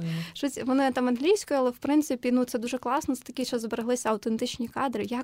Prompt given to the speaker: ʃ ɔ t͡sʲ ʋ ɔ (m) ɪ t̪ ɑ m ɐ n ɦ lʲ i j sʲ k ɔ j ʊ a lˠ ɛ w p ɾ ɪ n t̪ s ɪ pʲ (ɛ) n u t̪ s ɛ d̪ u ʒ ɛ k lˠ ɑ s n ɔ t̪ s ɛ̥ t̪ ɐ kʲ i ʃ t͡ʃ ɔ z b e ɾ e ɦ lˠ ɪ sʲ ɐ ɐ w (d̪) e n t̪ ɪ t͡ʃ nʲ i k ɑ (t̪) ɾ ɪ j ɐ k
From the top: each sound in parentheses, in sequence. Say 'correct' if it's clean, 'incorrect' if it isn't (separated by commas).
incorrect, incorrect, incorrect, incorrect